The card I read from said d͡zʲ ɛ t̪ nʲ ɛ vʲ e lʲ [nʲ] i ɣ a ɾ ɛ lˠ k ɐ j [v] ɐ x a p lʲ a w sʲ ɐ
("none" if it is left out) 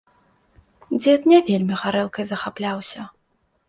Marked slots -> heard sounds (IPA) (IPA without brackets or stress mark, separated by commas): mʲ, z